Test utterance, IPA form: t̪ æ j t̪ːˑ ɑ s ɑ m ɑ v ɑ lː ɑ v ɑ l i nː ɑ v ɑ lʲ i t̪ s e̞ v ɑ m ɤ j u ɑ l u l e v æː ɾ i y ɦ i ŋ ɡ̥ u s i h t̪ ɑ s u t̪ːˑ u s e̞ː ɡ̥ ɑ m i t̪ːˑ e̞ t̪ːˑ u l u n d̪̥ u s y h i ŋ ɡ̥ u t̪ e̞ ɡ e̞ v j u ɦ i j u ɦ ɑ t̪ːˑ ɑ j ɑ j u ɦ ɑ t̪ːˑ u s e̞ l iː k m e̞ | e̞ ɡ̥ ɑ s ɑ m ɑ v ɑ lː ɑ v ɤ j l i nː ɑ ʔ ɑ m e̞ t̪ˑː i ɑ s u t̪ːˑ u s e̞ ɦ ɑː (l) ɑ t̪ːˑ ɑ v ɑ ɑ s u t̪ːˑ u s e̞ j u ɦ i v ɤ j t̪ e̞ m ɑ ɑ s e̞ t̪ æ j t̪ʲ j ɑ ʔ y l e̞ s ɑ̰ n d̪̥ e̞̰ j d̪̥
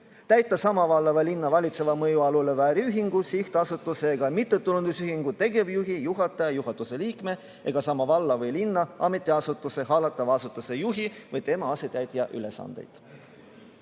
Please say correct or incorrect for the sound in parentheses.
correct